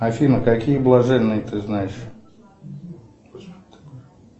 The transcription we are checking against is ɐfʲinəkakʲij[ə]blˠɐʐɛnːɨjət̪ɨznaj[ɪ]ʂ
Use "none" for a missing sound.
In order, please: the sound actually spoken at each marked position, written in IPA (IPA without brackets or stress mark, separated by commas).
ə, ɪ